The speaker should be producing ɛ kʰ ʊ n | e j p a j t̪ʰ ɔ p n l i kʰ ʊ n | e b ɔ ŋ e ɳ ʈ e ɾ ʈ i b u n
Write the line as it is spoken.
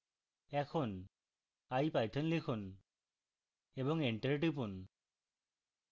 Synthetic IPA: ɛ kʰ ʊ n | a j p a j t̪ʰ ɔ n l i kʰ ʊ n | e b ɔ ŋ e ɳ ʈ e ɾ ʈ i p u n